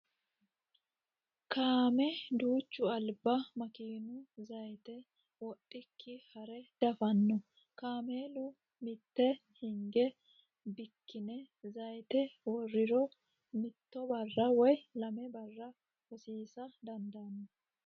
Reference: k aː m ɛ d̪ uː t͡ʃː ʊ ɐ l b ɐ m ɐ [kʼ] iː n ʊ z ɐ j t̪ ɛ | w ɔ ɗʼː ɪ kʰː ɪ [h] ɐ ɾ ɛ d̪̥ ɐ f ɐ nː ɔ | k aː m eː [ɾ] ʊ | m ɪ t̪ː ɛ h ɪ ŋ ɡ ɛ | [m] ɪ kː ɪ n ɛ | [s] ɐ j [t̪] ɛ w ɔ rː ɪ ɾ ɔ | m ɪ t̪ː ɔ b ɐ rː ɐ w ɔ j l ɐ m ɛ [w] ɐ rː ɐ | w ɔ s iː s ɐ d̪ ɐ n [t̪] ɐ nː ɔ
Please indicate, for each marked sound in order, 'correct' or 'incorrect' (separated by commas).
incorrect, correct, incorrect, incorrect, incorrect, correct, incorrect, incorrect